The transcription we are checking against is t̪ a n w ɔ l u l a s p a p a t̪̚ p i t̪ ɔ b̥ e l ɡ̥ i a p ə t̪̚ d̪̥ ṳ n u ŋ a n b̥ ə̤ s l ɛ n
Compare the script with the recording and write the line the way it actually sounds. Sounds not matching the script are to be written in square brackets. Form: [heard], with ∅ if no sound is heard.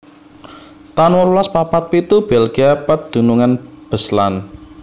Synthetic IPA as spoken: t̪ a n w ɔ l u l a s p a p a t̪̚ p i t̪ [u] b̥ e l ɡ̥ i a p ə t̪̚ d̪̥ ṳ n u ŋ a n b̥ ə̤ s l [a] n